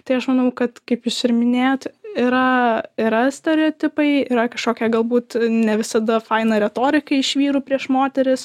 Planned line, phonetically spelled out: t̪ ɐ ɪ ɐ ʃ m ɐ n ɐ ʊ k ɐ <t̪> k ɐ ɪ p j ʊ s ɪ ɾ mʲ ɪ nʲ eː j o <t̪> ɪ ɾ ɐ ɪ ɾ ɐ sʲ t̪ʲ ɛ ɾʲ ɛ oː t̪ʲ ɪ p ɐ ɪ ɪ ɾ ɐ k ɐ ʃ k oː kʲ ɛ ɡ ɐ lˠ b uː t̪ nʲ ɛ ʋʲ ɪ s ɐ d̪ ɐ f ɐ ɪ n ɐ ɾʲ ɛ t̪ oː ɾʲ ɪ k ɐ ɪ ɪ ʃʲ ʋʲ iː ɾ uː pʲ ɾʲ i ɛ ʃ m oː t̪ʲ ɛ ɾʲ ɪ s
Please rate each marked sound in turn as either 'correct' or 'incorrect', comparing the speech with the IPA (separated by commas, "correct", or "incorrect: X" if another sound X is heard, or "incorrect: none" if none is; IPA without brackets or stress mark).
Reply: correct, correct